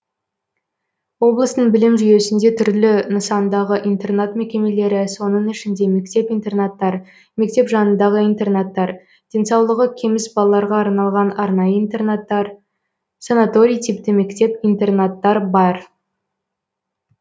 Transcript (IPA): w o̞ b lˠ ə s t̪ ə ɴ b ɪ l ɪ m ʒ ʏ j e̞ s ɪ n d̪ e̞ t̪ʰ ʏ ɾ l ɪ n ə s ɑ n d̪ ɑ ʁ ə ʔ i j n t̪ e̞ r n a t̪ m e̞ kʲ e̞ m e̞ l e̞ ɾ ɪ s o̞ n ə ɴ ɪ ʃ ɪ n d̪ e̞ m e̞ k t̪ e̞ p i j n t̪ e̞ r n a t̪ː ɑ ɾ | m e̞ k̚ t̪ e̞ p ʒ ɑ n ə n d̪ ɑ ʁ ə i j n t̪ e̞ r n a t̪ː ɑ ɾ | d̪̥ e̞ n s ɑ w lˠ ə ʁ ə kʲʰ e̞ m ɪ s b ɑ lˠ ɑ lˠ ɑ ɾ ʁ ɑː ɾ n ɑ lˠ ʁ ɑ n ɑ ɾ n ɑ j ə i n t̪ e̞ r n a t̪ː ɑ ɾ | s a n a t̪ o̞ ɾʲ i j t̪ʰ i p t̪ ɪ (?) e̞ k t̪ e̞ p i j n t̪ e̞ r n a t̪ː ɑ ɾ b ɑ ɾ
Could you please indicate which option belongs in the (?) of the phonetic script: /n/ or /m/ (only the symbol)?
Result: m